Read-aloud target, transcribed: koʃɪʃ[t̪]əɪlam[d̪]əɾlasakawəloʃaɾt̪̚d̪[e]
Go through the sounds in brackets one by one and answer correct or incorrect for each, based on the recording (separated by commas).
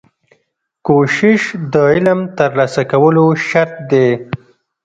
incorrect, incorrect, correct